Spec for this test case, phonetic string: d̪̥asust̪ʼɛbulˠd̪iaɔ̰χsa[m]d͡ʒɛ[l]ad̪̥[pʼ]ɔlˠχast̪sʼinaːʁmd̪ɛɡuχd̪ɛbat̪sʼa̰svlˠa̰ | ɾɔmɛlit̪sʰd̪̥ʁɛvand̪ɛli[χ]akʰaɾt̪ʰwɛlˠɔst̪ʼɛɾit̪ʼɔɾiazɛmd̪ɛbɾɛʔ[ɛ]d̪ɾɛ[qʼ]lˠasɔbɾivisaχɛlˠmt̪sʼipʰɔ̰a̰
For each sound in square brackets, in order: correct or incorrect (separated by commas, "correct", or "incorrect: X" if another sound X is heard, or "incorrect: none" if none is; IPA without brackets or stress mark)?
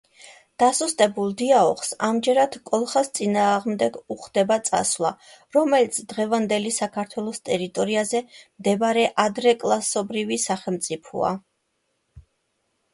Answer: correct, incorrect: ɾ, incorrect: kʼ, incorrect: s, incorrect: a, incorrect: kʼ